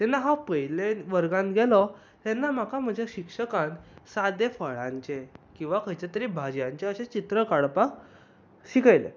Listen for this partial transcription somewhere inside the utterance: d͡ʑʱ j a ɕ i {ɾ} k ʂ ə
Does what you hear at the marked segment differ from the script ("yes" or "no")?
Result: yes